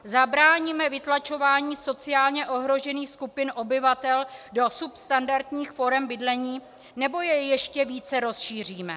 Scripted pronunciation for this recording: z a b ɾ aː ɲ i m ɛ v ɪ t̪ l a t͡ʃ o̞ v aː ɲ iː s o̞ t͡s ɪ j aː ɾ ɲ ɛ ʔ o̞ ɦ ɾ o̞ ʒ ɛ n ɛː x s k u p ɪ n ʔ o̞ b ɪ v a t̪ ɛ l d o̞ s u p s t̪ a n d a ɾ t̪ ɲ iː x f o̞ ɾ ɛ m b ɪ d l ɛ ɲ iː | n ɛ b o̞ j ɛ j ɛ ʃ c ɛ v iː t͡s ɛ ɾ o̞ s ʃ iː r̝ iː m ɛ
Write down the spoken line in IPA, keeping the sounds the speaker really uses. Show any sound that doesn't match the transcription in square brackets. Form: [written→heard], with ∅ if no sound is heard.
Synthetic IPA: z a b ɾ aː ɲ i m ɛ v ɪ t̪ l a t͡ʃ o̞ v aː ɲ iː s o̞ t͡s ɪ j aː [ɾ→l] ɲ ɛ ʔ o̞ ɦ ɾ o̞ ʒ ɛ n [ɛː→iː] x s k u p ɪ n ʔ o̞ b ɪ v a t̪ ɛ l d o̞ s u p s t̪ a n d a ɾ t̪ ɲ iː x f o̞ ɾ ɛ m b ɪ d l ɛ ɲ iː | n ɛ b o̞ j ɛ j ɛ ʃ c ɛ v iː t͡s ɛ ɾ o̞ s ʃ iː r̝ iː m ɛ